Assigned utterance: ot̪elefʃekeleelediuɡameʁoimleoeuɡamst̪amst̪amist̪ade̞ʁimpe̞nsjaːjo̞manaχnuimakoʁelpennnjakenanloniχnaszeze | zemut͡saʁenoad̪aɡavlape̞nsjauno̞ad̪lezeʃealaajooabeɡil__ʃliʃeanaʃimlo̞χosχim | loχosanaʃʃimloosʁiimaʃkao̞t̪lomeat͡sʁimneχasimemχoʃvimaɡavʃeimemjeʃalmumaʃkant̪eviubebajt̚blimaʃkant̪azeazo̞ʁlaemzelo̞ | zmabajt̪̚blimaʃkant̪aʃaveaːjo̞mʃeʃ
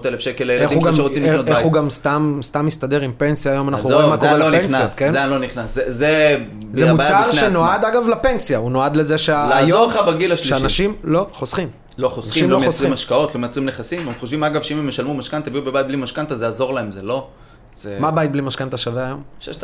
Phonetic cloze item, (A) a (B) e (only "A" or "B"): A